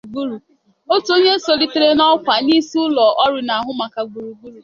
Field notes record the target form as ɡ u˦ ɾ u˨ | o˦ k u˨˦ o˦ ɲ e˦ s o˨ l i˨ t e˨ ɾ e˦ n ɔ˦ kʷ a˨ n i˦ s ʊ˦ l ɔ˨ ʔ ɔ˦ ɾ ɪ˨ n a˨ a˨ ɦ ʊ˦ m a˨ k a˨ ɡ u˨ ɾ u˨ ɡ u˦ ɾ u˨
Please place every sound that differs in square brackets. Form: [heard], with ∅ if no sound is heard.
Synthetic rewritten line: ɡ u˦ ɾ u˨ | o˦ [t] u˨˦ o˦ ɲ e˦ s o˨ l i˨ t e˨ ɾ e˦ n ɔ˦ kʷ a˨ n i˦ s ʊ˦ l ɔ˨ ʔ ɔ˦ ɾ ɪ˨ n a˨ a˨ ɦ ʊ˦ m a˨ k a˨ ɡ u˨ ɾ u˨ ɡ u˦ ɾ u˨